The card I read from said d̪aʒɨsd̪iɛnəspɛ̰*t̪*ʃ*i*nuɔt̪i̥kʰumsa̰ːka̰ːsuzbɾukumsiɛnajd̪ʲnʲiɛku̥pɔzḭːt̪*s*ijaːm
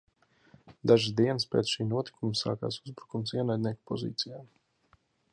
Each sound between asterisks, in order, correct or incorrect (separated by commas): correct, incorrect, correct